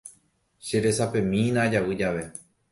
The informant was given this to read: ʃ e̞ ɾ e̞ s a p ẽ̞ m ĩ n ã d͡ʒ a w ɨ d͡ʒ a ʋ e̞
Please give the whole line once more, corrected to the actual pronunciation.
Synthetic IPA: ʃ e̞ ɾ e̞ s a p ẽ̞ m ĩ n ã d͡ʒ a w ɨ d͡ʒ a ʋ e̞